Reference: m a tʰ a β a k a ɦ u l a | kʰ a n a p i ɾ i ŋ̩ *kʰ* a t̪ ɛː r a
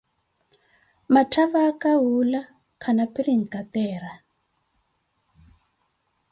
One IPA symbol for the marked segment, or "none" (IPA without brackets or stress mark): k